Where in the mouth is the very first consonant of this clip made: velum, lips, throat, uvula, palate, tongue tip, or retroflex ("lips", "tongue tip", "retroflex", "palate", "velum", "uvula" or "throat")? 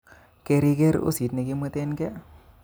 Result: velum